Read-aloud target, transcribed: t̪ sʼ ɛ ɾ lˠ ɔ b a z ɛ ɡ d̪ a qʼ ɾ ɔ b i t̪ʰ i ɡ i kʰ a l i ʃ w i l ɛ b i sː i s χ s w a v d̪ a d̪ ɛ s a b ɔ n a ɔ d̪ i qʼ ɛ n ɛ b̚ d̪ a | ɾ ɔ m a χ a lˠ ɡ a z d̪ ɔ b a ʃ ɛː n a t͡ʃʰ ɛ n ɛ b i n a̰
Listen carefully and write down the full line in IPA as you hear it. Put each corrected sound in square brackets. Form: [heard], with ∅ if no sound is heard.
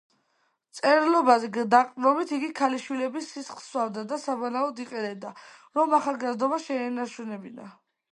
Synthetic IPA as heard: t̪ sʼ ɛ ɾ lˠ ɔ b a z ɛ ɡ d̪ a qʼ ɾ ɔ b i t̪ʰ i ɡ i kʰ a l i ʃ w i l ɛ b i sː i s χ s w a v d̪ a d̪ [a] s a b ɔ n a ɔ d̪ i qʼ ɛ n ɛ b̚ d̪ a | ɾ ɔ m a χ a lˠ ɡ a z d̪ ɔ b a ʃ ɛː n a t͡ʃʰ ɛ n ɛ b i n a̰